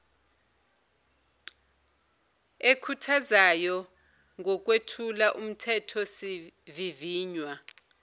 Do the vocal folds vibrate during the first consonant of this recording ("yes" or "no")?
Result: no